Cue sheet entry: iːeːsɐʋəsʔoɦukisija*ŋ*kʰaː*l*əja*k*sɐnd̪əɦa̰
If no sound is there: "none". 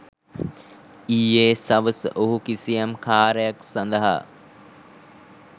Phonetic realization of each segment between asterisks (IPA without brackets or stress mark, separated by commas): m, ɾ, k